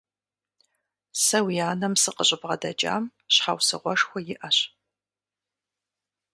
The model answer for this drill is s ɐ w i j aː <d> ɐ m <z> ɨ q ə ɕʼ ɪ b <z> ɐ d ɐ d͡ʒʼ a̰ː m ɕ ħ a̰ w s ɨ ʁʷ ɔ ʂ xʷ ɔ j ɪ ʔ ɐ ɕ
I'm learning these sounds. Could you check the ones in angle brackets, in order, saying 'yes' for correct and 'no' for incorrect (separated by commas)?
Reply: no, no, no